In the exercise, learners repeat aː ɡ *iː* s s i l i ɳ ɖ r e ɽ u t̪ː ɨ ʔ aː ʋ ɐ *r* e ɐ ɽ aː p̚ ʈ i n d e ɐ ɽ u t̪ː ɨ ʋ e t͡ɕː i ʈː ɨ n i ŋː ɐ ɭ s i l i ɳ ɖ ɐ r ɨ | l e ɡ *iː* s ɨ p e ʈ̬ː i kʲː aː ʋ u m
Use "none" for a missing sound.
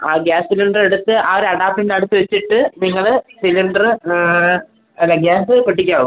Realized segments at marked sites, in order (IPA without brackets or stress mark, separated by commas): aː, ɾ, aː